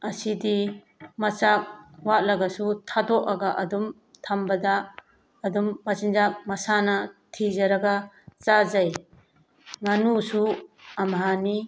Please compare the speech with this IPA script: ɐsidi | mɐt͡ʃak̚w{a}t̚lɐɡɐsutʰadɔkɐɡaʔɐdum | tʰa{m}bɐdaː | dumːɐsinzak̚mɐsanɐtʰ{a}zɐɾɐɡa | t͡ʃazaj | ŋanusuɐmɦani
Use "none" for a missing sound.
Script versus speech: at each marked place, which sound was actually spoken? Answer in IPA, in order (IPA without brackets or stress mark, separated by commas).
a, m, i